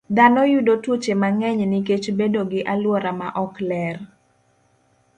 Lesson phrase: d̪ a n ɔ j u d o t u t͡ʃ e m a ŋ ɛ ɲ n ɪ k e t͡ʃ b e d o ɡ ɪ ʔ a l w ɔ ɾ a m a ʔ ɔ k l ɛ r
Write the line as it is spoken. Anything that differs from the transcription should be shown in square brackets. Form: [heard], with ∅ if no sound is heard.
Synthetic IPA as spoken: d̪ a n ɔ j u d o t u t͡ʃ e m a ŋ ɛ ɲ n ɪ k e t͡ʃ b e d o ɡ ɪ ʔ a l w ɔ ɾ a m a ʔ ɔ k l ɛ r

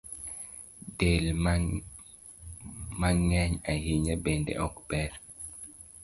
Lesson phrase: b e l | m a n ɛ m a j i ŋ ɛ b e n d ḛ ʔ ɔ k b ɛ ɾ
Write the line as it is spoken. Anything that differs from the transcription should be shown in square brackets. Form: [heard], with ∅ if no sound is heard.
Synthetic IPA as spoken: [d] e l | m a [ŋ] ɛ [ɲ] a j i [ɲ] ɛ b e n d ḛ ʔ ɔ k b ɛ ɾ

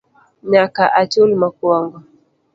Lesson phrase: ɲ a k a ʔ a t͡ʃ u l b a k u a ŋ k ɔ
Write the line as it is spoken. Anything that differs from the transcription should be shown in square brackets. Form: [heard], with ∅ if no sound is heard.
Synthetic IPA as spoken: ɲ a k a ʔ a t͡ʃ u l [m] a k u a ŋ [ɡ] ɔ

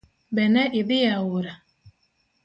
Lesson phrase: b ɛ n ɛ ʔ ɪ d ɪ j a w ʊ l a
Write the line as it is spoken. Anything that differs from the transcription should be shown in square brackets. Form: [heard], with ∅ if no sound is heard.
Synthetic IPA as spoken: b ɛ n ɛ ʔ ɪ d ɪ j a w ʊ [ɾ] a

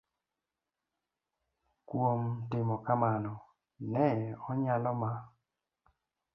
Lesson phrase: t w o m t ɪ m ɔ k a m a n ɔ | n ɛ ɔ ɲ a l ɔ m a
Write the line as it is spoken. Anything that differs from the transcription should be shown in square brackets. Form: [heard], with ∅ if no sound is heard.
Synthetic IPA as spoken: [k] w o m t ɪ m ɔ k a m a n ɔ | n ɛ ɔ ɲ a l ɔ m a

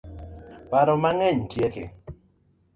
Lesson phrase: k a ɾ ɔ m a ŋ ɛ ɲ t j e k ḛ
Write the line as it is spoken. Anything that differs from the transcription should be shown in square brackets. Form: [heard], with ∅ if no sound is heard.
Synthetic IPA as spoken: [p] a ɾ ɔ m a ŋ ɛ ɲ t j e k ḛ

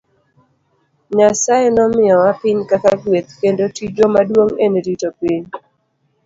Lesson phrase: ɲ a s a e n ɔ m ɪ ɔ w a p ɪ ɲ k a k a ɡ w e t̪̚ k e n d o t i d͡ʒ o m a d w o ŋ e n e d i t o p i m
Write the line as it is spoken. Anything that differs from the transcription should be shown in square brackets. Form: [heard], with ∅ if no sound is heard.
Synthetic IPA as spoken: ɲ a s a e n ɔ m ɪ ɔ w a p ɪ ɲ k a k a ɡ w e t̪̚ k e n d o t i d͡ʒ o m a d w o ŋ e n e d i t o p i [ɲ]

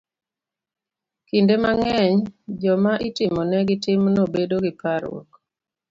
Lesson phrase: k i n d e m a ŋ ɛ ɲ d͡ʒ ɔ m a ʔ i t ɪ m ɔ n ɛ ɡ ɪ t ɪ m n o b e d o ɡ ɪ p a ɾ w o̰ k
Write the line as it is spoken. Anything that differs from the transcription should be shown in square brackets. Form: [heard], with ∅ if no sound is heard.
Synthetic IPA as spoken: k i n d e m a ŋ ɛ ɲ d͡ʒ ɔ m a ʔ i t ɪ m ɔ n ɛ ɡ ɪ t ɪ m n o b e d o ɡ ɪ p a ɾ w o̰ k

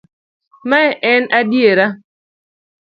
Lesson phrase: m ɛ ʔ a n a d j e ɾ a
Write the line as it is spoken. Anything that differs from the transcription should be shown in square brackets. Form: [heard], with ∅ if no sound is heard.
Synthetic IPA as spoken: m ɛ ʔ [ɛ] n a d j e ɾ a

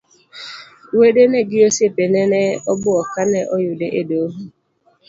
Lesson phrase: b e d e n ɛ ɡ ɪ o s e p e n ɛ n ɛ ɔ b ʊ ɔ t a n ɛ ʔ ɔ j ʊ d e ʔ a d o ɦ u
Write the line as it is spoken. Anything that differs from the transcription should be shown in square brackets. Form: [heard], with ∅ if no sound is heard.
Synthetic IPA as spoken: [w] e d e n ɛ ɡ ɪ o s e p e n ɛ n ɛ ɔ b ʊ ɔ [k] a n ɛ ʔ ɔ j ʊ d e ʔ [e] d o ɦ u

